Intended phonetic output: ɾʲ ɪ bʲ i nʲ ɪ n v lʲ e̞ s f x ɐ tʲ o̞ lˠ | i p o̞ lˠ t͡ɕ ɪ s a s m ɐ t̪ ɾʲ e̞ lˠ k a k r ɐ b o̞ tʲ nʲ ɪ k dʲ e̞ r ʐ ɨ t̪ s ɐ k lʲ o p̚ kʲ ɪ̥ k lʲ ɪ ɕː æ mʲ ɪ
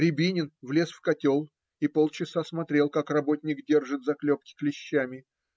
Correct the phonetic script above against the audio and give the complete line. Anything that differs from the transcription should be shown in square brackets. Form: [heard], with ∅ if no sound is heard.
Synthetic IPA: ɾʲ ɪ bʲ i nʲ ɪ n v lʲ e̞ s f [k] ɐ tʲ o̞ lˠ | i p o̞ lˠ t͡ɕ ɪ s a s m ɐ t̪ ɾʲ e̞ lˠ k a k r ɐ b o̞ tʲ nʲ ɪ k dʲ e̞ r ʐ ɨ t̪ [z] ɐ k lʲ o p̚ kʲ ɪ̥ k lʲ ɪ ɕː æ mʲ ɪ